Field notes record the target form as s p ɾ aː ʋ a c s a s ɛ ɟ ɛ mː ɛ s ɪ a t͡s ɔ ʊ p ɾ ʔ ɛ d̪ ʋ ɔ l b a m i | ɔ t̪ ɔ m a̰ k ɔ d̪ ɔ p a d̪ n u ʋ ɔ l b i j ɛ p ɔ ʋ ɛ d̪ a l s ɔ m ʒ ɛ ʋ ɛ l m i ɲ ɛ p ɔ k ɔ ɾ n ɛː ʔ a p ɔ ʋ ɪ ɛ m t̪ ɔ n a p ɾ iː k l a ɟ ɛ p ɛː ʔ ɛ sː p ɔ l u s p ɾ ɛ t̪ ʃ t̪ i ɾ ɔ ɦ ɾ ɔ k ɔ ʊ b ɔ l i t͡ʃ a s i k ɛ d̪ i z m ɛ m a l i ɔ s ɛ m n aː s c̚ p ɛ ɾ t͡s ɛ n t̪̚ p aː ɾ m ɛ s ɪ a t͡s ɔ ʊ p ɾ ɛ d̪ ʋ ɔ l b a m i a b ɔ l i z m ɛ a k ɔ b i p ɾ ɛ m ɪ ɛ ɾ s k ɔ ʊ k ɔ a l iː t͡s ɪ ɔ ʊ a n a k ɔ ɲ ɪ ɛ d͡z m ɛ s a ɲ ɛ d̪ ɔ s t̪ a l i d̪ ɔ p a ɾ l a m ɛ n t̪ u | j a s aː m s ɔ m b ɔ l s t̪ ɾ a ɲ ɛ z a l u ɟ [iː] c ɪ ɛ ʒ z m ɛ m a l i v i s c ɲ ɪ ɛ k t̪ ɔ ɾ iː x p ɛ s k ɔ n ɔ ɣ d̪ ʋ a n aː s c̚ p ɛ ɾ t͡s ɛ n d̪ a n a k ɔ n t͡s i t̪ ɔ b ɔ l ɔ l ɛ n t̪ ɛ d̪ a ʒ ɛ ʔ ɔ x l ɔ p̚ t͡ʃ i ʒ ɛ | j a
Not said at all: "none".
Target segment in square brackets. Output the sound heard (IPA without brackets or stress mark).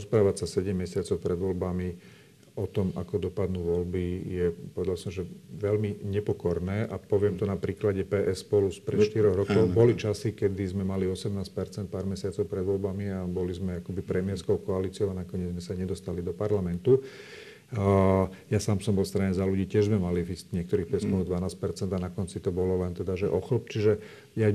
iː